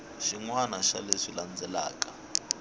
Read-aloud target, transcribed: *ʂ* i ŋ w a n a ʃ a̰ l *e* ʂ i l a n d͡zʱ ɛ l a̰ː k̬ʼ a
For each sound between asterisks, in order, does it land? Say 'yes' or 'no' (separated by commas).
no, yes